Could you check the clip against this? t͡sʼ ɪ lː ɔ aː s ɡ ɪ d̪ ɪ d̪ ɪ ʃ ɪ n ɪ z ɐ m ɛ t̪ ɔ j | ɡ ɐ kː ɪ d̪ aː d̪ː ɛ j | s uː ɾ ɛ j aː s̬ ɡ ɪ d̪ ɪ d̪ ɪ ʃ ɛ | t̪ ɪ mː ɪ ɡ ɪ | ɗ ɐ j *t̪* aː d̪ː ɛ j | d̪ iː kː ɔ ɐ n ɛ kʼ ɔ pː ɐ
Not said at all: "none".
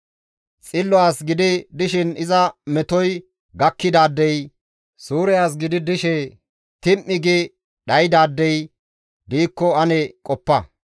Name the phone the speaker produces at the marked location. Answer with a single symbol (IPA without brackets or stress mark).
d̪